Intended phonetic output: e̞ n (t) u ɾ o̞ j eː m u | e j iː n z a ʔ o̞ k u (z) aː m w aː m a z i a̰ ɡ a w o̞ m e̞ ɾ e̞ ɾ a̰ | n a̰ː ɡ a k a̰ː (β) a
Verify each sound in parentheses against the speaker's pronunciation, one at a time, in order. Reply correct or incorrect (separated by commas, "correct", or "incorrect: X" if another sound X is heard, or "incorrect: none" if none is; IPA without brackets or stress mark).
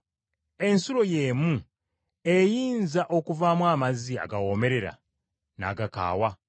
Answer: incorrect: s, incorrect: v, incorrect: w